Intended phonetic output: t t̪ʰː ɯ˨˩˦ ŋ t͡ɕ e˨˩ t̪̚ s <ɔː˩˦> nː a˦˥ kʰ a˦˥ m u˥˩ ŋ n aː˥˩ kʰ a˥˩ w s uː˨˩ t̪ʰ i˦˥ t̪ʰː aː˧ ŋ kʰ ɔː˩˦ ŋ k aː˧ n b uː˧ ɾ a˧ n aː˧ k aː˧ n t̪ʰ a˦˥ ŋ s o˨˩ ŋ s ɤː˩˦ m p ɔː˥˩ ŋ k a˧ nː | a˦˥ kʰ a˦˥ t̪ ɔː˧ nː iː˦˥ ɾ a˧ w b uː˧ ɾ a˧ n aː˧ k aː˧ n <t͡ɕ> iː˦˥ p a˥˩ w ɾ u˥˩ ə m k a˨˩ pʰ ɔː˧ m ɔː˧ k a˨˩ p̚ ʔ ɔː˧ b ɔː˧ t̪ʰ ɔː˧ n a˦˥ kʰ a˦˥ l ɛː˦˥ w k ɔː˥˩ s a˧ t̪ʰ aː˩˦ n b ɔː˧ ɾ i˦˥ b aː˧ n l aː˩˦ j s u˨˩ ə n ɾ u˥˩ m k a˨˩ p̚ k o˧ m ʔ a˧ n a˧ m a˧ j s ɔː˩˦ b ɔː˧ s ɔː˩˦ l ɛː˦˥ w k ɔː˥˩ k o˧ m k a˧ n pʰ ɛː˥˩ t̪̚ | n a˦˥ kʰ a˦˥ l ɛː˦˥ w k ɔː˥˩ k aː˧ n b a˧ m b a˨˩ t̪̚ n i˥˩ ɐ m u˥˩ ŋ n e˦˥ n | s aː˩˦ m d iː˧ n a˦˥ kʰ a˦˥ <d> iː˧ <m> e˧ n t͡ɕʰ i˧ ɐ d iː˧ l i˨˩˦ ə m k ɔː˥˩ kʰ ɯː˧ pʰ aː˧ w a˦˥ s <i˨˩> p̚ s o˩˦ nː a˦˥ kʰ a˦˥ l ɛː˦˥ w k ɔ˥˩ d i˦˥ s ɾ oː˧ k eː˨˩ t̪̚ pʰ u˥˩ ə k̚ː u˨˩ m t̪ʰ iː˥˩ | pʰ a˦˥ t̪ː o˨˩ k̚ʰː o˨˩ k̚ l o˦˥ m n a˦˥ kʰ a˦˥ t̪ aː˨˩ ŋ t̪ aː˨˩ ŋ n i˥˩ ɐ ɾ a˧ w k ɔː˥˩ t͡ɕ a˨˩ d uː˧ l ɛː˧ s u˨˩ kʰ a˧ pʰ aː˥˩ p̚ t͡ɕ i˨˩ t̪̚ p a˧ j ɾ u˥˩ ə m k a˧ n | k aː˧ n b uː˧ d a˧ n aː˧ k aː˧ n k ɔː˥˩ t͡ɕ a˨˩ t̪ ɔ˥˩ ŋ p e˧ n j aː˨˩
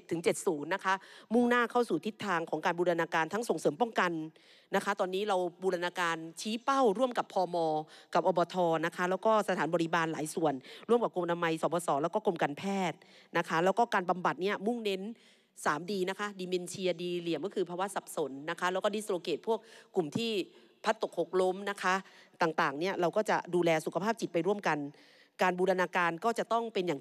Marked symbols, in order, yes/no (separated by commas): no, no, yes, yes, no